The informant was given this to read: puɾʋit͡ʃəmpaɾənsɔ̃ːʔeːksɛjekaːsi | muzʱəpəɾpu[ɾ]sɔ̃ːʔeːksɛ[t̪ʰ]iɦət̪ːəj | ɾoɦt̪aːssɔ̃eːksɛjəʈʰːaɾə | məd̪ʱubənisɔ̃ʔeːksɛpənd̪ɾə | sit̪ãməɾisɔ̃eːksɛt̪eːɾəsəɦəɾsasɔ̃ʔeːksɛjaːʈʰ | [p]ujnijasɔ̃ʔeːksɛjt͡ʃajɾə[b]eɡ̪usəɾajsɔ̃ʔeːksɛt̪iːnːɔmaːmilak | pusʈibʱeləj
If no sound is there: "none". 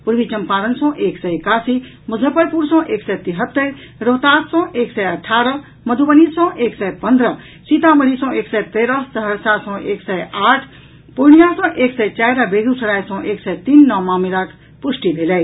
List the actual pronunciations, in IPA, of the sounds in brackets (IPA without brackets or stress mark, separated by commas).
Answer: ɾ, t̪, p, b